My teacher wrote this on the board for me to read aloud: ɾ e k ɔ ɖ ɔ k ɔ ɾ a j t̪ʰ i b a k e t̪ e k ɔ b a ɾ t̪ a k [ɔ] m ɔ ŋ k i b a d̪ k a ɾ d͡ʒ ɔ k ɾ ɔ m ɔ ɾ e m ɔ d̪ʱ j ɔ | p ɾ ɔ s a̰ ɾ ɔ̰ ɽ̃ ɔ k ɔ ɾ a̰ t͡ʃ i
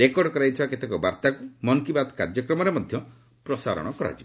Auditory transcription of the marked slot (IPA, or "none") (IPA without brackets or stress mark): u